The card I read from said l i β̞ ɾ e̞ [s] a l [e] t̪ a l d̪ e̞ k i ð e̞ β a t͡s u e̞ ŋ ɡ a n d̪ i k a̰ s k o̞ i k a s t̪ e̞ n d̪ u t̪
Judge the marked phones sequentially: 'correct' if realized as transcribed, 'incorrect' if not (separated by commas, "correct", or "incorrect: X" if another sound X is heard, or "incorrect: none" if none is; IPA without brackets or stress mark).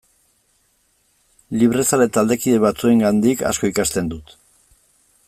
correct, correct